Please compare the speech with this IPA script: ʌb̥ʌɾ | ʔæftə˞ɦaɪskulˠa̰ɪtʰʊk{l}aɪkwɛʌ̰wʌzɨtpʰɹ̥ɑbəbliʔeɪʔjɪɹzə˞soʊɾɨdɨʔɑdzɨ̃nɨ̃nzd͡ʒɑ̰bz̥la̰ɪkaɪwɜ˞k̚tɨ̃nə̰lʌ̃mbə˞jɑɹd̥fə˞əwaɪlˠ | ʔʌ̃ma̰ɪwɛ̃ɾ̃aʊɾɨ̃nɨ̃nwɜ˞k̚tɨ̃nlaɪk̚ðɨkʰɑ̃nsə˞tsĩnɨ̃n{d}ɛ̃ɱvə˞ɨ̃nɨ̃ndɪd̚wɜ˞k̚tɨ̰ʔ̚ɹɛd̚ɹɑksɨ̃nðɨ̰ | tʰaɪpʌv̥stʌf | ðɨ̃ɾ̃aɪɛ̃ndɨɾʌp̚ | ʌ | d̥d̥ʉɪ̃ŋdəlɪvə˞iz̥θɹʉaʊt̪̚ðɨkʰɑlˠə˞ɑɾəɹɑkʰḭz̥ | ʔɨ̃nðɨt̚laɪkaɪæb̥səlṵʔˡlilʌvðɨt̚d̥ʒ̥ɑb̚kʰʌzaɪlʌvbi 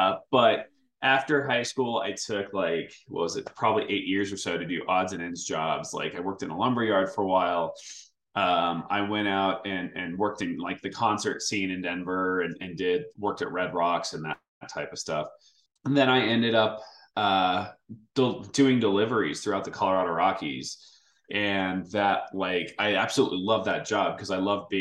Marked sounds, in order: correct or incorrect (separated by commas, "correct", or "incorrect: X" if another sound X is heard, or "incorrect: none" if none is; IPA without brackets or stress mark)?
correct, correct